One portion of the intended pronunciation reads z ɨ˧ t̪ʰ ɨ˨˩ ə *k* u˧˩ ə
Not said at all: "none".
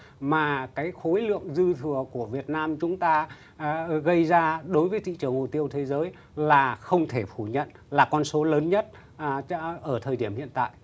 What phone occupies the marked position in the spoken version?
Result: k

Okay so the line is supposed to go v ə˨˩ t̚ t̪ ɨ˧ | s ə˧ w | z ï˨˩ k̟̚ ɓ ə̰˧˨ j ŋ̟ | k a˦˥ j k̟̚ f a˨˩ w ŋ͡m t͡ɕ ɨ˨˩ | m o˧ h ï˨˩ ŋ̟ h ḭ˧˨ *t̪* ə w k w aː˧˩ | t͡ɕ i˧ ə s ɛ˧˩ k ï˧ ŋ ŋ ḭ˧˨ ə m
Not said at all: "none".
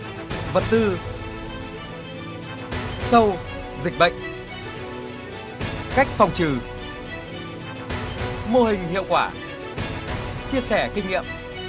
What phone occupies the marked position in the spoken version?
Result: none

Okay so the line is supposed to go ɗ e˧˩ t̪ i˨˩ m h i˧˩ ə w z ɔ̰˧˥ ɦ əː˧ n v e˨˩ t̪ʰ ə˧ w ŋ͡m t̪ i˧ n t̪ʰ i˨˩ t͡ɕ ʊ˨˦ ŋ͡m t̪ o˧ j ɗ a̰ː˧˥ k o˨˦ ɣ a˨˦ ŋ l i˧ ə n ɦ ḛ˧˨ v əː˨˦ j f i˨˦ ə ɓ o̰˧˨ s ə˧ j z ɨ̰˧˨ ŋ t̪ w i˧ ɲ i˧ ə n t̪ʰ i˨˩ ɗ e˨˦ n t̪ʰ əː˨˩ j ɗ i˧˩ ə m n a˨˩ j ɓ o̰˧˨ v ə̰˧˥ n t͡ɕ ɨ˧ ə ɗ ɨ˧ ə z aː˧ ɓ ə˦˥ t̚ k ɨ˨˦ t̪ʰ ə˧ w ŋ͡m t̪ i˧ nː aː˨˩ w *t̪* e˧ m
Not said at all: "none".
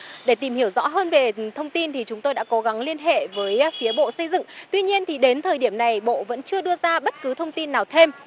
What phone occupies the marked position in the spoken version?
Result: t̪ʰ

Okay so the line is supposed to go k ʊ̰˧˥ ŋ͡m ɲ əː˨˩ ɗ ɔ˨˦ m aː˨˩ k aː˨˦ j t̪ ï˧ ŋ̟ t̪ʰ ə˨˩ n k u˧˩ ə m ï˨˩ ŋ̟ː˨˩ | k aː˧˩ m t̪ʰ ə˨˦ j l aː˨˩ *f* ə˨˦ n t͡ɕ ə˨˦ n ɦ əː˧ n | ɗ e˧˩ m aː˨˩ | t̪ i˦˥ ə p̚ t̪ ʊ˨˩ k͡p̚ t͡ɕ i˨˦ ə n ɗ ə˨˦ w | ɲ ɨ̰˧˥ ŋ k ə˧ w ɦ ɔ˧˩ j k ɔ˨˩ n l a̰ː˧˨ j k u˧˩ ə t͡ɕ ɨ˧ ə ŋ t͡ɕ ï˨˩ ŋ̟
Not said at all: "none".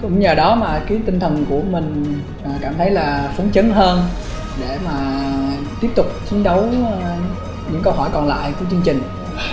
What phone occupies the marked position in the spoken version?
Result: f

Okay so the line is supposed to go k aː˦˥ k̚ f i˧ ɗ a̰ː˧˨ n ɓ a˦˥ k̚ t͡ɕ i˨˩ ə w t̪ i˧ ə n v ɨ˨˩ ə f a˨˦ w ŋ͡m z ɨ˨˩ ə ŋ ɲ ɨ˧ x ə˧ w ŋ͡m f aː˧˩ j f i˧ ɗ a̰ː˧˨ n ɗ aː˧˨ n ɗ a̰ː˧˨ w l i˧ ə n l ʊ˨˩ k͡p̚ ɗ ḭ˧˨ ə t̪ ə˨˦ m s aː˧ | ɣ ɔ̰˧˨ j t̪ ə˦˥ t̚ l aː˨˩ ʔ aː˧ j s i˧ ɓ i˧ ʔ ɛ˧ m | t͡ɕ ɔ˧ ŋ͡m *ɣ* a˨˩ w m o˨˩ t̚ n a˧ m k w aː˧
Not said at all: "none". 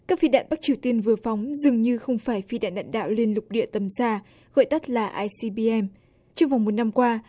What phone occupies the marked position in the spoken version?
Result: v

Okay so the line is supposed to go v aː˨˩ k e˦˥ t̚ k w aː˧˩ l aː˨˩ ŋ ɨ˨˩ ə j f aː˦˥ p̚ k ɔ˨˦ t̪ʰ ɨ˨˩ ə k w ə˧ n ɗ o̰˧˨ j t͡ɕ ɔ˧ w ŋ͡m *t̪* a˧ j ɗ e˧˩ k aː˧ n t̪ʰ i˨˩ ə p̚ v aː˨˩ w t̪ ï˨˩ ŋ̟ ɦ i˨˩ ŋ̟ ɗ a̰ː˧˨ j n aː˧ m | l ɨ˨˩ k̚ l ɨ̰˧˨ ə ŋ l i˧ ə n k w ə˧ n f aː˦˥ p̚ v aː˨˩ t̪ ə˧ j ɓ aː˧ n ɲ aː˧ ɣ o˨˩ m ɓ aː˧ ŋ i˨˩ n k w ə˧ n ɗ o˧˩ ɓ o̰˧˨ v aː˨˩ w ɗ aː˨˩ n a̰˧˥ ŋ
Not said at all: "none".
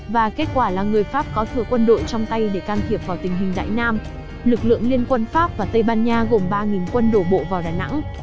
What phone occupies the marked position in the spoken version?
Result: t̪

